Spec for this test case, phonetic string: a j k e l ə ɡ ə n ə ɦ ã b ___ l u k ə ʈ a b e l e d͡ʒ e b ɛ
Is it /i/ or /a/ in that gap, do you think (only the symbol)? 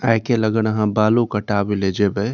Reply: a